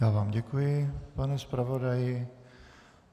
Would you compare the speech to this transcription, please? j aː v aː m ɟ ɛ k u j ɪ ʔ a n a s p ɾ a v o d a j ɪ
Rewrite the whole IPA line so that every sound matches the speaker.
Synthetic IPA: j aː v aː m ɟ ɛ k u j ɪ p a n ɛ s p ɾ a v o d a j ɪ